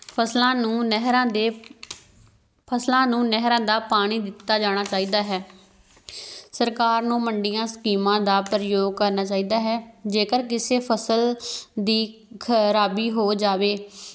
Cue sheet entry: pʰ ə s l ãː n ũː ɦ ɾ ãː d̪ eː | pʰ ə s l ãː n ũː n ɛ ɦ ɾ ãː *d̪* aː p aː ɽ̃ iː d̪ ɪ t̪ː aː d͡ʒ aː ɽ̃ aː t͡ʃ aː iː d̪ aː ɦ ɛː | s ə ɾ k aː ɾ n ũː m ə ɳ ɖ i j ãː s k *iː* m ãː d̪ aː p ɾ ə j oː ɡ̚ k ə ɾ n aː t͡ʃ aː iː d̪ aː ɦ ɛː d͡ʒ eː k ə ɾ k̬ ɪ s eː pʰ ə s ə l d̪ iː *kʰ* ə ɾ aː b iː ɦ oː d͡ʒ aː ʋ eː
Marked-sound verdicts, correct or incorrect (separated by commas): correct, correct, correct